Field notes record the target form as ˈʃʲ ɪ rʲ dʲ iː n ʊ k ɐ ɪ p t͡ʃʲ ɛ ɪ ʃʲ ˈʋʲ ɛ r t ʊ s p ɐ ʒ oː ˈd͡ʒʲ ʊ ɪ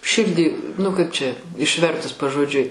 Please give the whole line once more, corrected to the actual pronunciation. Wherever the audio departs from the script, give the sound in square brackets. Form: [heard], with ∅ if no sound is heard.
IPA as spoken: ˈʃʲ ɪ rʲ dʲ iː n ʊ k ɐ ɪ p t͡ʃʲ ɛ ɪ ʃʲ ˈʋʲ ɛ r t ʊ s p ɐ ʒ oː ˈd͡ʒʲ ʊ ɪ